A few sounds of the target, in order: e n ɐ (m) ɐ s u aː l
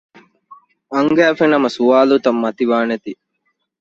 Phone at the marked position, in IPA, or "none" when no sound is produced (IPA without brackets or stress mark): m